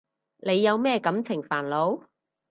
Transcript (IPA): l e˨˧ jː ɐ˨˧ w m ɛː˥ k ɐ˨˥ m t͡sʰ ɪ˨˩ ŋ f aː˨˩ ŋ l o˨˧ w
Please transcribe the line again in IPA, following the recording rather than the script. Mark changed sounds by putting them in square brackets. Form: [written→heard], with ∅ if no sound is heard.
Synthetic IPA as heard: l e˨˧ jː ɐ˨˧ w m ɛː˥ k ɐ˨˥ m t͡sʰ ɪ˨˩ ŋ f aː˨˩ [ŋ→n] l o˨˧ w